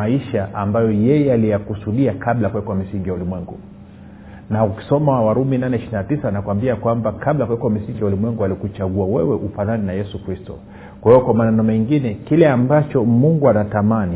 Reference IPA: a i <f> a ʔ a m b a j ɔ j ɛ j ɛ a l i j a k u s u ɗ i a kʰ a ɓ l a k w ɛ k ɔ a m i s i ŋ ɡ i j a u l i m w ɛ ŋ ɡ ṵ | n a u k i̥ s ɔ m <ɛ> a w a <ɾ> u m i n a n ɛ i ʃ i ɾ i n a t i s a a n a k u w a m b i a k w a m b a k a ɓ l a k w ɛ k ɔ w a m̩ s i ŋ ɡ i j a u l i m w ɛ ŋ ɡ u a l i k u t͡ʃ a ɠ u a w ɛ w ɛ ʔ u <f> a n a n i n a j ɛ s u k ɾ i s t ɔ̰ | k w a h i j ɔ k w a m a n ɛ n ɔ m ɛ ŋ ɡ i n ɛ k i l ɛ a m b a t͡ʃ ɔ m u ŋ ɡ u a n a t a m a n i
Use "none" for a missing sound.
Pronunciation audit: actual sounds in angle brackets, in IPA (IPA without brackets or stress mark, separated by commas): ʃ, a, ɾ, f